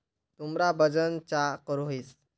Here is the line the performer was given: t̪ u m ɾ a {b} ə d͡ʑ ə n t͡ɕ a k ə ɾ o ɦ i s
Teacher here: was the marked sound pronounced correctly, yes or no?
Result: yes